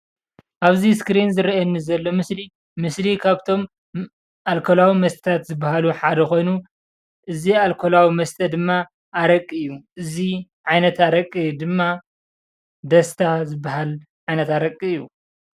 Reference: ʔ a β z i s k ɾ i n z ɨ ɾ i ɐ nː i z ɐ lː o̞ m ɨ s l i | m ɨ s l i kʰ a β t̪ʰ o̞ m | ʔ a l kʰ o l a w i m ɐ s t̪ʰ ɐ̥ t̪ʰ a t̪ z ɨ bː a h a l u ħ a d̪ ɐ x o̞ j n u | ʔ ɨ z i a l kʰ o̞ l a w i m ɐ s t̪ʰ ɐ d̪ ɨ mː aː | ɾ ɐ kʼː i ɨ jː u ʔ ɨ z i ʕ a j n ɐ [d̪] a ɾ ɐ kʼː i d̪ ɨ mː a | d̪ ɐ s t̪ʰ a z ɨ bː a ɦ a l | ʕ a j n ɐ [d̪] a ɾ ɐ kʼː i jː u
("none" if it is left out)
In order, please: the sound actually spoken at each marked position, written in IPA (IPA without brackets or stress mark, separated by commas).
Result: t̪, t̪